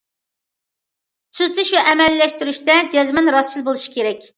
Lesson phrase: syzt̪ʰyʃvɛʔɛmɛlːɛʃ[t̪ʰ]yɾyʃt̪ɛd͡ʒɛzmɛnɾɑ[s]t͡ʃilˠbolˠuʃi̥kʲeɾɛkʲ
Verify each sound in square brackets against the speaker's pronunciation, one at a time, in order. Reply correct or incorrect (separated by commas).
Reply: incorrect, correct